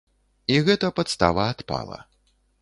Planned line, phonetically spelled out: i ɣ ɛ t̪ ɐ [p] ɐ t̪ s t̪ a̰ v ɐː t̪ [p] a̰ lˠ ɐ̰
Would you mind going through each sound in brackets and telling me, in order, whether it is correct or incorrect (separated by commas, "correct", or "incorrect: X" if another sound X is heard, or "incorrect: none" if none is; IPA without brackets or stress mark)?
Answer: correct, correct